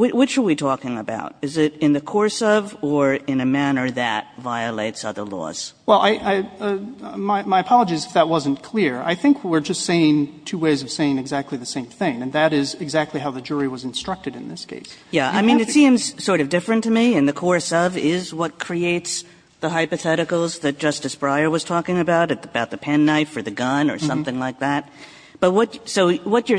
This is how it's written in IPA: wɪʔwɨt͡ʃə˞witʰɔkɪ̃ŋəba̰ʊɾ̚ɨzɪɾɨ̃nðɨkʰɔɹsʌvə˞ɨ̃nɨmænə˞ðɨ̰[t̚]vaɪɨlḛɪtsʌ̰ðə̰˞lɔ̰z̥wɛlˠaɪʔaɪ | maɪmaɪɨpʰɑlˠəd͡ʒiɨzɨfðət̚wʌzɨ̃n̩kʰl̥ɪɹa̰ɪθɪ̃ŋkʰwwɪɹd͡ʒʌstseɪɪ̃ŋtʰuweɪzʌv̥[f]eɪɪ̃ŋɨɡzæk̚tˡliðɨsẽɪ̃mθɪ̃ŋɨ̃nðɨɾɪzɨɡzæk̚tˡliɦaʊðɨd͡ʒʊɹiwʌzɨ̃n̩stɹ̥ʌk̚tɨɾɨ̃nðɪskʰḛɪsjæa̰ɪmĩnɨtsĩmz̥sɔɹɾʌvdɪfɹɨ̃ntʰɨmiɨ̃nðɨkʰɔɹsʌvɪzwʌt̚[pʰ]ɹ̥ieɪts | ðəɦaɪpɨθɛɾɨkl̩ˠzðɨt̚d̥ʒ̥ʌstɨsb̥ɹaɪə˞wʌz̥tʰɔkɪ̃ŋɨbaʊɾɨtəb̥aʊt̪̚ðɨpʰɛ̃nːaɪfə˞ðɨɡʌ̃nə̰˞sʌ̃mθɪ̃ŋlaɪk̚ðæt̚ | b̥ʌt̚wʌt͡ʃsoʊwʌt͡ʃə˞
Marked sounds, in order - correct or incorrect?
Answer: correct, incorrect: s, incorrect: kʰ

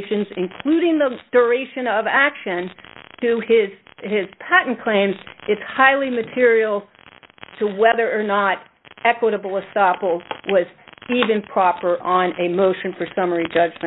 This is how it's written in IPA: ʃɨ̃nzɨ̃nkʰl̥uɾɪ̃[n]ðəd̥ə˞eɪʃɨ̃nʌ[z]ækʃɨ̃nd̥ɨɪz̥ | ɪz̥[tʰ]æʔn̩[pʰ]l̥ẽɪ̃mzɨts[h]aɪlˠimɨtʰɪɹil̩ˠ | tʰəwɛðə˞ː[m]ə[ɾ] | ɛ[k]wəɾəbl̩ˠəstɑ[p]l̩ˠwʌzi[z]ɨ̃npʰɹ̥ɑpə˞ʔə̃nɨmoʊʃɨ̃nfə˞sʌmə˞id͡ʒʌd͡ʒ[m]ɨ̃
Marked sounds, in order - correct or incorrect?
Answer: incorrect: ŋ, incorrect: v, incorrect: pʰ, incorrect: kʰ, correct, incorrect: n, correct, correct, correct, incorrect: v, correct

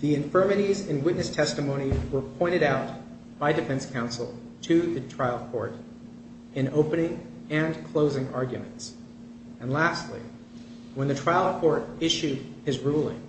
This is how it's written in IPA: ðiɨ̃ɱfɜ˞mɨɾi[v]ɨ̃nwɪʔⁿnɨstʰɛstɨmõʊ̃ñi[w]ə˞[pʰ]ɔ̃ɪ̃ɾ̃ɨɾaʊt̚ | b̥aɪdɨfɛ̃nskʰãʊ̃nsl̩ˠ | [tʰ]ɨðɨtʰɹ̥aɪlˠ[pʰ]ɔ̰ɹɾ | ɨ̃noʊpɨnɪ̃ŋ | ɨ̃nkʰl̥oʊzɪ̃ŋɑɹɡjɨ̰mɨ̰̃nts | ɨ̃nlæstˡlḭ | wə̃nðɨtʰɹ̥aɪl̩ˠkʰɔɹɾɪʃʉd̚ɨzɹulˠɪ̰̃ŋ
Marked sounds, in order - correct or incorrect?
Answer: incorrect: z, correct, correct, correct, incorrect: kʰ

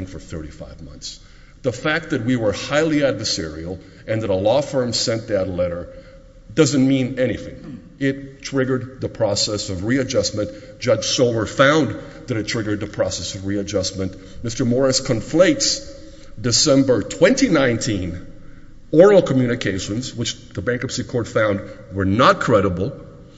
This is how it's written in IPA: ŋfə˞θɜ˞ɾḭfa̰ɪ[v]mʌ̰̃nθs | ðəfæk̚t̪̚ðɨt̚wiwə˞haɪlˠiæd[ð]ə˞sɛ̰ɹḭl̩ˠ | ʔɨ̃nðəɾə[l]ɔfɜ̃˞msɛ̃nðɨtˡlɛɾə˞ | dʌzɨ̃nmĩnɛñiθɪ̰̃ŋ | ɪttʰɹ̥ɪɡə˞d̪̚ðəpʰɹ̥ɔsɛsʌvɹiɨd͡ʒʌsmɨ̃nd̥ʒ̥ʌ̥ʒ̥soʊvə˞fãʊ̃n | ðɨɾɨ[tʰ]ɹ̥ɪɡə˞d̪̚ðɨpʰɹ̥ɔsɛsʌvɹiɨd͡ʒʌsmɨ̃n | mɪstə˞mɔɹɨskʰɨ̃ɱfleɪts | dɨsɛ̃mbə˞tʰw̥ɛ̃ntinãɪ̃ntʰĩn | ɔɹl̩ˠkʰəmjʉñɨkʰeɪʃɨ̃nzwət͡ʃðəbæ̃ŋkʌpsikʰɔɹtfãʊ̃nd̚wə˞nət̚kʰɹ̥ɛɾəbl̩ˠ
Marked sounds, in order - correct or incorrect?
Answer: correct, incorrect: v, correct, correct

